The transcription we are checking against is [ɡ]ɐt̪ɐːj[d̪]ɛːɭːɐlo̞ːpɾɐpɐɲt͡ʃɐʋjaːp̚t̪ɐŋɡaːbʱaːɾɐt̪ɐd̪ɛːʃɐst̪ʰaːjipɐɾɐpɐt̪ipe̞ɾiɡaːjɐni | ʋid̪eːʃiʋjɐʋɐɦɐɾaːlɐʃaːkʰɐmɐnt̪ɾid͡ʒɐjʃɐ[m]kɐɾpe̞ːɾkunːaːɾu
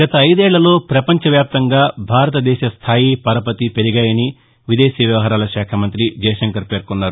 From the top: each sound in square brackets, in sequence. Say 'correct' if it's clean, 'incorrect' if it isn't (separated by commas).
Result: correct, correct, incorrect